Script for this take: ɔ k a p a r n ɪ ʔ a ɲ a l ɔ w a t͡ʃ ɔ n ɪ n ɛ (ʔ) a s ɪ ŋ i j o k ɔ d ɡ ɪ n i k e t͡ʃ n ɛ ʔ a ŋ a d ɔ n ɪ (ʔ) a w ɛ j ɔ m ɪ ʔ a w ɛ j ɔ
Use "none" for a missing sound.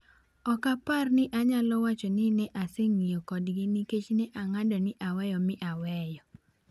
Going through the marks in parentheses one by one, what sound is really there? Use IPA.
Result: ʔ, ʔ

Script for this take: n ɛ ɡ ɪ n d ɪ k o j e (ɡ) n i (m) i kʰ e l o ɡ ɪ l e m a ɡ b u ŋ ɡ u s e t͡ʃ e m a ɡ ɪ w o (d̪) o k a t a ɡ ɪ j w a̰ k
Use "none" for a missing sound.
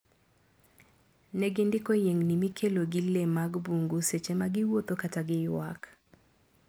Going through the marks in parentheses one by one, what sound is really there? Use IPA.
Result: ŋ, m, t̪

